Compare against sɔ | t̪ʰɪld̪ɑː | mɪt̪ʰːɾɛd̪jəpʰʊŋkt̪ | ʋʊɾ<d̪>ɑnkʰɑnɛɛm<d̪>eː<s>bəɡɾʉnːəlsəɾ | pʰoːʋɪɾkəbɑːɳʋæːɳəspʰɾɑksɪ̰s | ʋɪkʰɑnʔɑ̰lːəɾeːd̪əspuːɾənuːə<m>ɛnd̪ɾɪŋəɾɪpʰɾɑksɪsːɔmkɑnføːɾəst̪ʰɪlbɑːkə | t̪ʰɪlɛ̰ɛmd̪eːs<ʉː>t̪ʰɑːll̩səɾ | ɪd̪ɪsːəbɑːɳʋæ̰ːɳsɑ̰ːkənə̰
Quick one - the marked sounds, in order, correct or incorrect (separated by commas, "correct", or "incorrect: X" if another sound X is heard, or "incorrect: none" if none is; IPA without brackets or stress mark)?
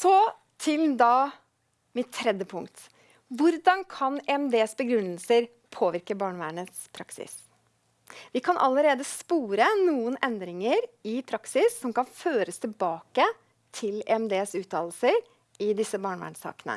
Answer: correct, correct, correct, incorrect: n, correct